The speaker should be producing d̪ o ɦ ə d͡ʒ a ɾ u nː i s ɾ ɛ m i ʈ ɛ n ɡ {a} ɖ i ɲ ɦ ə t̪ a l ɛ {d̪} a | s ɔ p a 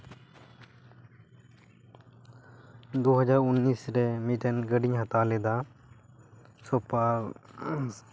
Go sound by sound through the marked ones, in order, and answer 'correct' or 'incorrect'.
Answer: incorrect, correct

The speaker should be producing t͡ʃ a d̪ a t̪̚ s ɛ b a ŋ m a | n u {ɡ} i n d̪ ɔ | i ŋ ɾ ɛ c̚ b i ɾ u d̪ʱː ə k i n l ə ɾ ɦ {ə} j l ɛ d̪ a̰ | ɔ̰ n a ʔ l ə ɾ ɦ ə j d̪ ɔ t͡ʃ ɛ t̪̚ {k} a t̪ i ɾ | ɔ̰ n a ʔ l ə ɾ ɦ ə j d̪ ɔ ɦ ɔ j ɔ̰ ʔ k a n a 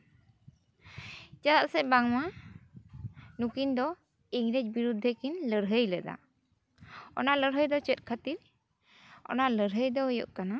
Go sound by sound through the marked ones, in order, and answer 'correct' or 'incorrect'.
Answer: incorrect, correct, incorrect

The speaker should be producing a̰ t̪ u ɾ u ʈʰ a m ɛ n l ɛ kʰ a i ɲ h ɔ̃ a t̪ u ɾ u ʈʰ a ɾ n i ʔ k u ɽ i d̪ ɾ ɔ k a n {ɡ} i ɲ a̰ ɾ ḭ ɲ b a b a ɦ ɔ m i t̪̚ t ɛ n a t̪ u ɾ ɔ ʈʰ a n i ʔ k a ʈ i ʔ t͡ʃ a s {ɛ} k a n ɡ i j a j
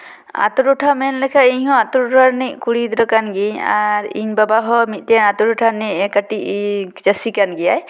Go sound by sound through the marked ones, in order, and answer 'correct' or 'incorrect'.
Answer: correct, incorrect

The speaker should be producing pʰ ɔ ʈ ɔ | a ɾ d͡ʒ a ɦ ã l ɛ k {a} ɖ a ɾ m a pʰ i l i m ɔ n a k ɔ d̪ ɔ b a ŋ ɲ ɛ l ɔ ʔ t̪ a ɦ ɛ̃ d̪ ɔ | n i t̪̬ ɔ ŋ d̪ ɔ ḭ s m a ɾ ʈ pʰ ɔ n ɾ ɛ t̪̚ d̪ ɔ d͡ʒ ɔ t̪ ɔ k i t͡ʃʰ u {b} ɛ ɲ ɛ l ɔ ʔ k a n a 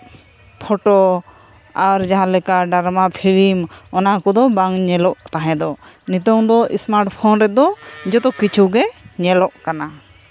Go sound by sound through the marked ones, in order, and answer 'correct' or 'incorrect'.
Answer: correct, incorrect

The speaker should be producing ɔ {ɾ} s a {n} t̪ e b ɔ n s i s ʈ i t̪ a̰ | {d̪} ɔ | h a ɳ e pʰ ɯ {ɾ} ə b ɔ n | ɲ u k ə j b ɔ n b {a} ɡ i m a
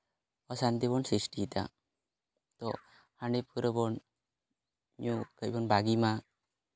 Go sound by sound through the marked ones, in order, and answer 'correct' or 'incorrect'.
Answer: incorrect, correct, incorrect, correct, correct

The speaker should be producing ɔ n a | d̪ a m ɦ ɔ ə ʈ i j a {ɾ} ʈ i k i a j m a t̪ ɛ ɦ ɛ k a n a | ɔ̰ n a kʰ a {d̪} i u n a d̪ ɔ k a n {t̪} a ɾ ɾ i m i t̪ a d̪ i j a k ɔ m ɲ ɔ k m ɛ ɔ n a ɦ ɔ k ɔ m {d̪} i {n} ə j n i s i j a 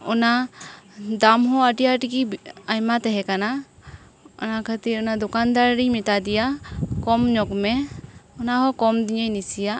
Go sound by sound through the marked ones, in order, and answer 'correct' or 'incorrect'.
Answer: incorrect, incorrect, incorrect, correct, incorrect

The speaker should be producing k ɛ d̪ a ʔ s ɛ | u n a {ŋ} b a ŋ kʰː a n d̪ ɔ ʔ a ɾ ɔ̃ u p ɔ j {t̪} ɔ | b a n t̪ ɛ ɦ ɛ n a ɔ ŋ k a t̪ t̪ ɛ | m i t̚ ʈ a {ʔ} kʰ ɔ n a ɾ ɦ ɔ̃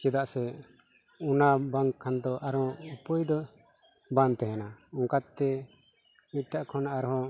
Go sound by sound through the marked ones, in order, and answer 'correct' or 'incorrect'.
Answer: incorrect, incorrect, correct

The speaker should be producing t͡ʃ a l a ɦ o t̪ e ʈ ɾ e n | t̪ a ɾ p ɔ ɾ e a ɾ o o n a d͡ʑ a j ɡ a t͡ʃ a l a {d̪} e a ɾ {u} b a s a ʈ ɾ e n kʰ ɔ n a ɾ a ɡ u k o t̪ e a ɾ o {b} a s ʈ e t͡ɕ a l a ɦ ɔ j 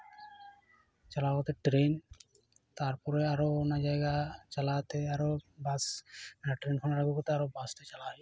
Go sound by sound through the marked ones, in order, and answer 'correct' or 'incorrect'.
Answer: incorrect, incorrect, correct

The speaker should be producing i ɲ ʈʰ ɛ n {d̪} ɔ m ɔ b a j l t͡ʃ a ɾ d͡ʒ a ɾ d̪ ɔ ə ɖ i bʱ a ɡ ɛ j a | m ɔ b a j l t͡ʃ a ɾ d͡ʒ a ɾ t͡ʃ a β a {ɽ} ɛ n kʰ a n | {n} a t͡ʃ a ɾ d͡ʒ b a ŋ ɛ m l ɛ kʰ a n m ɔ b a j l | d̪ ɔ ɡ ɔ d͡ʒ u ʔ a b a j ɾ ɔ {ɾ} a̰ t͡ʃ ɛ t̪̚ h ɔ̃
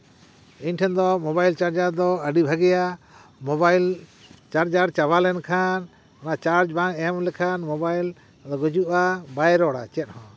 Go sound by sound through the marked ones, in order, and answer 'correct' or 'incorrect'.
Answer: correct, incorrect, correct, incorrect

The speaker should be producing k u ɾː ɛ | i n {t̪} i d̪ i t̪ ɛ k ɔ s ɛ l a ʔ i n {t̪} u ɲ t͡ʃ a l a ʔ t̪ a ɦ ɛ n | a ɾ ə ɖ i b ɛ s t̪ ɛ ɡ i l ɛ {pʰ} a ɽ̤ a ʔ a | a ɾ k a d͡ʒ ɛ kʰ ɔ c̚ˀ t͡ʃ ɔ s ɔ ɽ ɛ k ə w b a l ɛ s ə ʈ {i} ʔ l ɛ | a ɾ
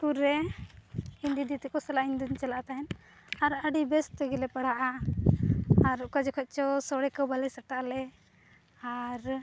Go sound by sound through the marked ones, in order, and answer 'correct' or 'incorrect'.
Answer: incorrect, incorrect, incorrect, incorrect

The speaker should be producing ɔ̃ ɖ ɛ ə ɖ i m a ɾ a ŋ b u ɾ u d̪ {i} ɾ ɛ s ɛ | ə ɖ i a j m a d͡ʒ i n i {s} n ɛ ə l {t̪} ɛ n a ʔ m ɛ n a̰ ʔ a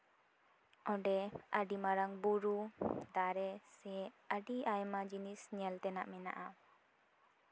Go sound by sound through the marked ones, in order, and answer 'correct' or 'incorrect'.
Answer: incorrect, correct, correct

